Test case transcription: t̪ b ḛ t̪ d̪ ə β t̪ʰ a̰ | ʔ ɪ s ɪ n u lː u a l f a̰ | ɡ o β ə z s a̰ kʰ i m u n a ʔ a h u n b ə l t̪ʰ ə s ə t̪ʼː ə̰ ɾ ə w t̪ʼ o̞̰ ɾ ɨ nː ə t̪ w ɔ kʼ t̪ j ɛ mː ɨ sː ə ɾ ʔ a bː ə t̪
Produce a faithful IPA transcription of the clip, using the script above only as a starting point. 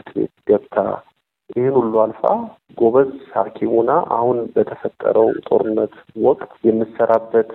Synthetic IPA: t̪ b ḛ t̪ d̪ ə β t̪ʰ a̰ | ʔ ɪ h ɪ n u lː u a l f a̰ | ɡ o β ə z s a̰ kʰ i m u n a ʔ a h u n b ə t̪ʰ ə f ə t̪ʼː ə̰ ɾ ə w t̪ʼ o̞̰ ɾ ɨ nː ə t̪ w ɔ kʼ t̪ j ɛ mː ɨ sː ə ɾ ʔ a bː ə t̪